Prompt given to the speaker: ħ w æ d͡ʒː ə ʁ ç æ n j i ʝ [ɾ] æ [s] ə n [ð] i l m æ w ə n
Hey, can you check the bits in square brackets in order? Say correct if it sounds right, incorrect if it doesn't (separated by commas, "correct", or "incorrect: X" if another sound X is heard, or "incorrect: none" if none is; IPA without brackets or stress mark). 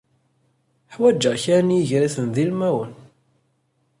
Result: correct, incorrect: θ, correct